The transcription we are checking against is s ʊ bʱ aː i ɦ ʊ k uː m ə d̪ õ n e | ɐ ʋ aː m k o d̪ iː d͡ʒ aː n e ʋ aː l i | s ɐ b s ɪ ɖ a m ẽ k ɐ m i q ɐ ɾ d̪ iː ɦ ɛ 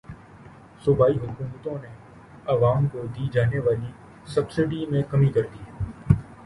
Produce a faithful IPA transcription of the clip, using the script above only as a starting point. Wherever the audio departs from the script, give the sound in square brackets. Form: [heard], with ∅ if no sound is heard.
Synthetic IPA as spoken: s ʊ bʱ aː i ɦ ʊ k uː m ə [t̪] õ n e | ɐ ʋ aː m k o d̪ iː d͡ʒ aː n e ʋ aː l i | s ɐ b s ɪ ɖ [i] m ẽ k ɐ m i [k] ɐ ɾ d̪ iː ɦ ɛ

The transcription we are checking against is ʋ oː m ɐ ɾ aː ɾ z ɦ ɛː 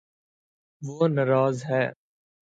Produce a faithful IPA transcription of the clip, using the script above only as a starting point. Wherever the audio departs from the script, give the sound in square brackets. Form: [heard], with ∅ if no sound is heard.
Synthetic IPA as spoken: ʋ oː [n] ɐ ɾ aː [∅] z ɦ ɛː

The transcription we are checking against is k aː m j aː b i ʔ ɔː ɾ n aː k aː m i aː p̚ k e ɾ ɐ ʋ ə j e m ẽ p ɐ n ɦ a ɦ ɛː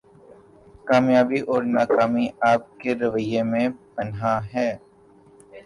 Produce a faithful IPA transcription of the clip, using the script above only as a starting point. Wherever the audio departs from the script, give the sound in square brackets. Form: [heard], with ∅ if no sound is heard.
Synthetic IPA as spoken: k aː m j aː b i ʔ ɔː ɾ n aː k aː m i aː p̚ k e ɾ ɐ ʋ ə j e m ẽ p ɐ n ɦ a ɦ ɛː

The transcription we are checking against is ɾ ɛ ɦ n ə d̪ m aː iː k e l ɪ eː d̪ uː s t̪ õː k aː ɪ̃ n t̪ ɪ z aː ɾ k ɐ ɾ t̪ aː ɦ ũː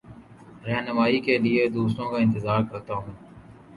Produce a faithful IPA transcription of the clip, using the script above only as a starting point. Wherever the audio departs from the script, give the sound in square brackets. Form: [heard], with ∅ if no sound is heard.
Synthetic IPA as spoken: ɾ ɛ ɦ n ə [∅] m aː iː k e l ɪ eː d̪ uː s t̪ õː k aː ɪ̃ n t̪ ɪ z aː ɾ k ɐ ɾ t̪ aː ɦ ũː

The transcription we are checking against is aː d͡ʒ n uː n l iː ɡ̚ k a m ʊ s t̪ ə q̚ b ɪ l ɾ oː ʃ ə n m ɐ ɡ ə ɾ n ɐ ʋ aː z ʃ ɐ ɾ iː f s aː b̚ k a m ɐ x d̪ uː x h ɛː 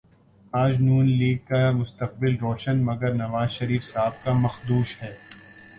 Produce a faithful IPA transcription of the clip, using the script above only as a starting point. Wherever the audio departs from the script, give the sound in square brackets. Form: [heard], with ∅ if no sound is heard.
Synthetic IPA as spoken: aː d͡ʒ n uː n l iː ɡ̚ k a m ʊ s t̪ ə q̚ b ɪ l ɾ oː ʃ ə n m ɐ ɡ ə ɾ n ɐ ʋ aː z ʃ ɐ ɾ iː f s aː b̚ k a m ɐ x d̪ uː [ʃ] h ɛː

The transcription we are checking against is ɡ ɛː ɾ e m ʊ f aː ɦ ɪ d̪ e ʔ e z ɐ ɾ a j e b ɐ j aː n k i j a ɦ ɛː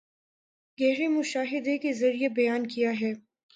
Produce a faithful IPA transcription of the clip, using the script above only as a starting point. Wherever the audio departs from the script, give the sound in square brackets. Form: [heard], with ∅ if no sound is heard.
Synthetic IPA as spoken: ɡ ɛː ɾ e m ʊ [ʃ] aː ɦ ɪ d̪ e [k] e z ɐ ɾ [i] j e b ɐ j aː n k i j a ɦ ɛː

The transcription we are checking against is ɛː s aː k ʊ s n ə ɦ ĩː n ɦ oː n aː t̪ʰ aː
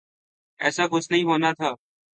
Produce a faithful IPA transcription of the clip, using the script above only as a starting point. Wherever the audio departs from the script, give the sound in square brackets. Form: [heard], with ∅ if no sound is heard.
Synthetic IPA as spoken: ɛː s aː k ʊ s n ə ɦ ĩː [∅] ɦ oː n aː t̪ʰ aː

